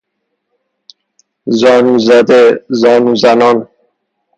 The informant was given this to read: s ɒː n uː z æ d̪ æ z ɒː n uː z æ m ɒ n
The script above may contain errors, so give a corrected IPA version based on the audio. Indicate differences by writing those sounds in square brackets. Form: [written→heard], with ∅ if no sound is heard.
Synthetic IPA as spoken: [s→z] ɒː n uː z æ d̪ [æ→e] z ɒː n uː z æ [m→n] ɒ n